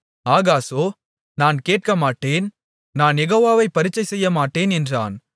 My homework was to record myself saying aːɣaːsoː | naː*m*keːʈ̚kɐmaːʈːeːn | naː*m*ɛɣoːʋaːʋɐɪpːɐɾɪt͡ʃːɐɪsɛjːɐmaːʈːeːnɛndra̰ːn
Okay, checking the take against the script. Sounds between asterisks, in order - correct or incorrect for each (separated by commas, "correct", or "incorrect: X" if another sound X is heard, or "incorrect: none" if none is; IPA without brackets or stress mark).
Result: incorrect: n, incorrect: n